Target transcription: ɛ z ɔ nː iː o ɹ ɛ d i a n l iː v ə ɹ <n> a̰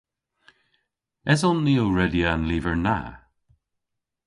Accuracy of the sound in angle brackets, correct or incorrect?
correct